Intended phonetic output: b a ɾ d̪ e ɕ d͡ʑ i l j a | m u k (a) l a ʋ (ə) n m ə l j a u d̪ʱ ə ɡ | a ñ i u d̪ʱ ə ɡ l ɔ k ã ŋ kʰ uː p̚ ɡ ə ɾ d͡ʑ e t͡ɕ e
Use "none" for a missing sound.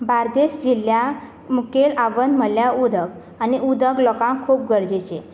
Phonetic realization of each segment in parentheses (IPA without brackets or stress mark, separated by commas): e, ə